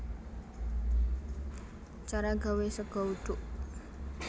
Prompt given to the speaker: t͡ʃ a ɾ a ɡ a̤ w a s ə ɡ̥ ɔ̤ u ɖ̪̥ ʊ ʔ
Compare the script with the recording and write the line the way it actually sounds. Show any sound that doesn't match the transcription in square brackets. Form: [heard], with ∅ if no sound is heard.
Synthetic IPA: t͡ʃ a ɾ a ɡ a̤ w [e] s ə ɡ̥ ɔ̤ u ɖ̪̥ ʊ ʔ

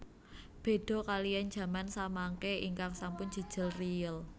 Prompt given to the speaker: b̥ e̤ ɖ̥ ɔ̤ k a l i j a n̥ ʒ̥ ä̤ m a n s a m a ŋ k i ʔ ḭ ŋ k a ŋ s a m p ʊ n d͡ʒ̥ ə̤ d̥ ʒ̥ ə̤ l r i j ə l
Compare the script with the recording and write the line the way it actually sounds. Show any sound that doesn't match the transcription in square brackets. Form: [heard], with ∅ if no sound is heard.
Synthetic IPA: b̥ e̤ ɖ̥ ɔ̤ k a l i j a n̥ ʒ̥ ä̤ m a n s a m a ŋ k [e] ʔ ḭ ŋ k a ŋ s a m p ʊ n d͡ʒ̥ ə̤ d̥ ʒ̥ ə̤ l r i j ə l

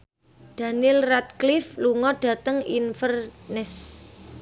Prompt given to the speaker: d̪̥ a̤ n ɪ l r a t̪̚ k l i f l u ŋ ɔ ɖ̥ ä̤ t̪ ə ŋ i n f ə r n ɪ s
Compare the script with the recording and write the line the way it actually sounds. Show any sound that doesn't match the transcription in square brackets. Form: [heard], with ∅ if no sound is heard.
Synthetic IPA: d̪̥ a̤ n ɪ l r a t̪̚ k l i f l u ŋ ɔ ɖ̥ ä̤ t̪ ə ŋ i n f ə r n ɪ s

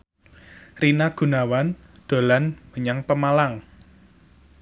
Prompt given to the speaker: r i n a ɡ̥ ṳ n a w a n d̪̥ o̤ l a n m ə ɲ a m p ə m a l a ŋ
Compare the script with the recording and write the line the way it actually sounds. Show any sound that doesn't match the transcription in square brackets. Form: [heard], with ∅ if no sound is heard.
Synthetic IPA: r i n a ɡ̥ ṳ n a w a n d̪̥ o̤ l a n m ə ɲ a [ŋ] p ə m a l a ŋ

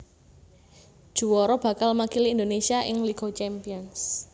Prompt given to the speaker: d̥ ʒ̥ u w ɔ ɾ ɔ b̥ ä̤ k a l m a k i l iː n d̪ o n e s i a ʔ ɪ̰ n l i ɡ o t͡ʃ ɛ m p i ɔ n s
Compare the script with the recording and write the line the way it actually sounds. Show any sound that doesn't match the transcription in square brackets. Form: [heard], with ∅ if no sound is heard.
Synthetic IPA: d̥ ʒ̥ u w ɔ ɾ ɔ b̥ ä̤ k a l m a k i l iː n d̪ o n e s i a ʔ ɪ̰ [ŋ] l i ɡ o t͡ʃ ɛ m p i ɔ n s

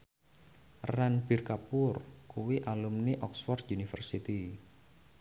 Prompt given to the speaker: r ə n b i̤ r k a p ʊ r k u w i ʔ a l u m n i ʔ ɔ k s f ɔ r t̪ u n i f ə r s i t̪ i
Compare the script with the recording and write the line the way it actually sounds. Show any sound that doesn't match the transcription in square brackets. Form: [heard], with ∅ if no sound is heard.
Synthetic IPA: r [a] n b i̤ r k a p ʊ r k u w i ʔ a l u m n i ʔ ɔ k s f ɔ r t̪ u n i f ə r s i t̪ i

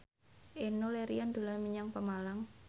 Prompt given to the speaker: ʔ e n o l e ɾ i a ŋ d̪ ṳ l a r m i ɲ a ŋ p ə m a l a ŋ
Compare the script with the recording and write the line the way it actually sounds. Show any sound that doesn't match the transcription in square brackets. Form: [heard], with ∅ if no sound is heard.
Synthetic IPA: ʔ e n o l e ɾ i a [n] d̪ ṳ l a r m i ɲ a ŋ p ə m a l a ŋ

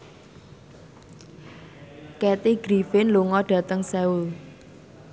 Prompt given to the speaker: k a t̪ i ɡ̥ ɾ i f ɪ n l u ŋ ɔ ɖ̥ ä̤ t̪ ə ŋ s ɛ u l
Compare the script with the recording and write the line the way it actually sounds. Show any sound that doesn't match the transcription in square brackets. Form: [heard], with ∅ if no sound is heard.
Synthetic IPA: k [ɛ] t̪ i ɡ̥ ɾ i f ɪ n l u ŋ ɔ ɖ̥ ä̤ t̪ ə ŋ s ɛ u l

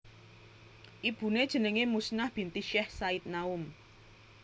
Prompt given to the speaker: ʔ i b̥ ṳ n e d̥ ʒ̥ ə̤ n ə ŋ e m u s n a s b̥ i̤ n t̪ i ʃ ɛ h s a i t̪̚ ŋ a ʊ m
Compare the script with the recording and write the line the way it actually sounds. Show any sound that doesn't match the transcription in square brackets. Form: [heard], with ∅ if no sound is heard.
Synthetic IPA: ʔ i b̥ ṳ n e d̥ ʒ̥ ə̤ n ə ŋ e m u s n a [h] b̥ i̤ n t̪ i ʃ ɛ h s a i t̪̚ [n] a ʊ m

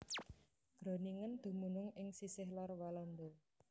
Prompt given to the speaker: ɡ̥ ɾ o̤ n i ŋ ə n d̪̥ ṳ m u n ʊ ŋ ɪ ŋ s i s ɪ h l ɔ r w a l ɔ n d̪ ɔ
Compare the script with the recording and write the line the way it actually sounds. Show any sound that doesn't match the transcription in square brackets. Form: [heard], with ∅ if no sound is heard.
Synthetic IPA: ɡ̥ ɾ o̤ n i ŋ ə n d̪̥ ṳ m u n ʊ ŋ ɪ ŋ s i s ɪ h l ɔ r w a l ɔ n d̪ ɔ

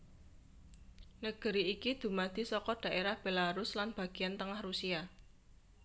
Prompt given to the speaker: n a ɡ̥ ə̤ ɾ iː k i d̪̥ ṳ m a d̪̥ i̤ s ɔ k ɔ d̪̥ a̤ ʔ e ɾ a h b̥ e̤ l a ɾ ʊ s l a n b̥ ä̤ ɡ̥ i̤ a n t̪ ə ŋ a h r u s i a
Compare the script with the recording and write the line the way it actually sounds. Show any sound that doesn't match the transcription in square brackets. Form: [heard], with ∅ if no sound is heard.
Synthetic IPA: n [ə] ɡ̥ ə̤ ɾ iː k i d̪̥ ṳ m a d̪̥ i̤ s ɔ k ɔ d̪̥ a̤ ʔ e ɾ a h b̥ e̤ l a ɾ ʊ s l a n b̥ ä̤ ɡ̥ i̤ a n t̪ ə ŋ a h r u s i a

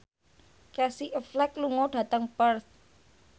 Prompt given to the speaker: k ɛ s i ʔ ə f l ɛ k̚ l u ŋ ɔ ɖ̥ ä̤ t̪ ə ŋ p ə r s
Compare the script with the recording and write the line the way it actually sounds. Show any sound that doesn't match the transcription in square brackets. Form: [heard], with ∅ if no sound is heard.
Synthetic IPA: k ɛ s i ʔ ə f l ɛ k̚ l u ŋ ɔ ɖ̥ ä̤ t̪ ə ŋ p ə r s

